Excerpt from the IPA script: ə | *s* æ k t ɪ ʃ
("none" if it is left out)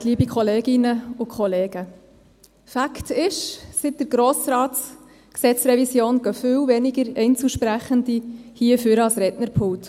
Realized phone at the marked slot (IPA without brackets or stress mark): f